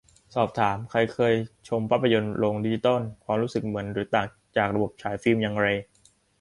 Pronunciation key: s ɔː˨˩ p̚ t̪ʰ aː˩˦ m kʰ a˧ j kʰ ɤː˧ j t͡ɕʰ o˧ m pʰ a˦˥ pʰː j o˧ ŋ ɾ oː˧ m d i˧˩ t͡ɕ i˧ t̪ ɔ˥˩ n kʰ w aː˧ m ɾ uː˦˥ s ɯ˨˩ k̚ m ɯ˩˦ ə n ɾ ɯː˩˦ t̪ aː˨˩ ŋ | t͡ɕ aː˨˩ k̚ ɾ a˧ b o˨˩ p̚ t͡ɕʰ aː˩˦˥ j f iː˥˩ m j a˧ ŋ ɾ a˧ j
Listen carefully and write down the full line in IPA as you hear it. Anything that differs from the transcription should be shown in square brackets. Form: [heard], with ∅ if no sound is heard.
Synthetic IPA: s ɔː˨˩ p̚ t̪ʰ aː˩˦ m kʰ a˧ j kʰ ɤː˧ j t͡ɕʰ o˧ m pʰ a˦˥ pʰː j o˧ [n] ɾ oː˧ [ŋ] d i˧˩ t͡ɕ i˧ t̪ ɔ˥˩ n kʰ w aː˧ m ɾ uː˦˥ s ɯ˨˩ k̚ m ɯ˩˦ ə n ɾ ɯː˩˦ t̪ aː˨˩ ŋ | t͡ɕ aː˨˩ k̚ ɾ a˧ b o˨˩ p̚ t͡ɕʰ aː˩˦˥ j f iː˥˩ m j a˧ ŋ ɾ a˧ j